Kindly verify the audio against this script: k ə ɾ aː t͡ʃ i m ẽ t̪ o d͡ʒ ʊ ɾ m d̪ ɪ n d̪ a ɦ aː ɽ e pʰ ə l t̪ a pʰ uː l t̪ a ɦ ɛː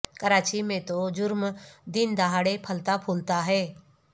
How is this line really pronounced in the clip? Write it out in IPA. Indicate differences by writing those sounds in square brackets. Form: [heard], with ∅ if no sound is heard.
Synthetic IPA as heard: k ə ɾ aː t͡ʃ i m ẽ t̪ o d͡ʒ ʊ ɾ m d̪ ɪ n d̪ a ɦ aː ɽ e pʰ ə l t̪ a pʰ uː l t̪ a ɦ ɛː